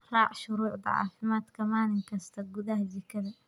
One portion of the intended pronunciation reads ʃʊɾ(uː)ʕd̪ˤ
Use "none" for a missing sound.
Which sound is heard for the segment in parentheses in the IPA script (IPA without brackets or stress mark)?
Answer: uː